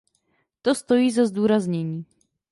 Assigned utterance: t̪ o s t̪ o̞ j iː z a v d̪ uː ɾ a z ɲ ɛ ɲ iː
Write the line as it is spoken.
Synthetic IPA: t̪ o s t̪ o̞ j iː z a z d̪ uː ɾ a z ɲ ɛ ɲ iː